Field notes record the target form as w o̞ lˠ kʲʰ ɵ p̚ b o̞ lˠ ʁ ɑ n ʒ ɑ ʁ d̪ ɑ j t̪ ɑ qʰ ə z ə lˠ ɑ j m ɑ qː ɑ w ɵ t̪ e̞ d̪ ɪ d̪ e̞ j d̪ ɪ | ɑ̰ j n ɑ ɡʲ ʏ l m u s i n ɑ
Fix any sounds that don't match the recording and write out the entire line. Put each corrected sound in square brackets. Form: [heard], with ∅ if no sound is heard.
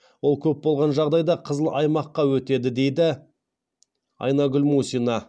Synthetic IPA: w o̞ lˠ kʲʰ ɵ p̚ b o̞ lˠ ʁ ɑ n ʒ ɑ ʁ d̪ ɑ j [d̪] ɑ qʰ ə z ə lˠ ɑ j m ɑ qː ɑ w ɵ t̪ e̞ d̪ ɪ d̪ e̞ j d̪ ɪ | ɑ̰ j n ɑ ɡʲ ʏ l m u s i n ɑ